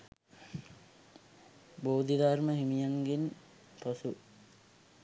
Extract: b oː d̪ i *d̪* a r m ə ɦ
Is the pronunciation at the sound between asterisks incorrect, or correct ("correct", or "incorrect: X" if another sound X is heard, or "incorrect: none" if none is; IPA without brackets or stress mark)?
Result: correct